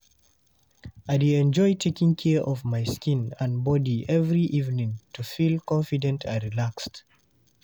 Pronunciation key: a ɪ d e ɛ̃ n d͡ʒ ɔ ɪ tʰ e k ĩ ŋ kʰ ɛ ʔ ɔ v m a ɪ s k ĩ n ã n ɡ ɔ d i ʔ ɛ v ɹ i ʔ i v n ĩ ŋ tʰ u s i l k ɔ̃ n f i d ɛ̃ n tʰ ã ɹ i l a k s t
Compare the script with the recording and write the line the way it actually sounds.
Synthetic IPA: a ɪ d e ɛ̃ n d͡ʒ ɔ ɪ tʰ e k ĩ ŋ kʰ ɛ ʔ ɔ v m a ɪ s k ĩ n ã n b ɔ d i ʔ ɛ v ɹ i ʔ i v n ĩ ŋ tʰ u f i l k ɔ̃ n f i d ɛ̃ n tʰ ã ɹ i l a k s t